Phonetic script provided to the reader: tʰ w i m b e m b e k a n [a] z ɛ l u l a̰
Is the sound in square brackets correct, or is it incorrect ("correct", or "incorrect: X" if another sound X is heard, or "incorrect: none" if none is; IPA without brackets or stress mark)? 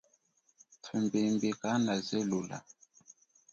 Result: correct